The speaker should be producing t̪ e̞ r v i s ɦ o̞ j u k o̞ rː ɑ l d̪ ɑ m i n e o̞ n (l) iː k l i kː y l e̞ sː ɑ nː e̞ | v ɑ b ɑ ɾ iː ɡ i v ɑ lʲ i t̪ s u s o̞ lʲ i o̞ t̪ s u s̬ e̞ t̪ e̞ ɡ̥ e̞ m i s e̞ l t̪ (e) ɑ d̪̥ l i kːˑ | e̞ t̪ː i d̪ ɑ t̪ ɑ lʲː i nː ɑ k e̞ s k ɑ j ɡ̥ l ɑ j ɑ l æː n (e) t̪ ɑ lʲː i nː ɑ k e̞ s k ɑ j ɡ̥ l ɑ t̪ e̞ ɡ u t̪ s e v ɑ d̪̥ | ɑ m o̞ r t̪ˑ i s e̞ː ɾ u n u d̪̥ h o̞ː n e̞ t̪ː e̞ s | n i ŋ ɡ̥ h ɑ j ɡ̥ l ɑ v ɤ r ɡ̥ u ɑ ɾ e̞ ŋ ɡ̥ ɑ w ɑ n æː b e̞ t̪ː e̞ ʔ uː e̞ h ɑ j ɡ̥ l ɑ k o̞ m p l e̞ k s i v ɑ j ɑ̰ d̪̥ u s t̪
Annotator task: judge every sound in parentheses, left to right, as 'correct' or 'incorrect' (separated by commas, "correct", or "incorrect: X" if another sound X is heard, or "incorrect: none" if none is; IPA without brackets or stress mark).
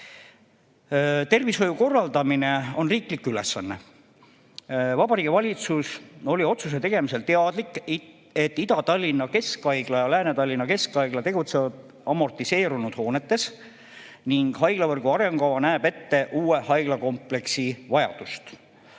incorrect: r, correct, correct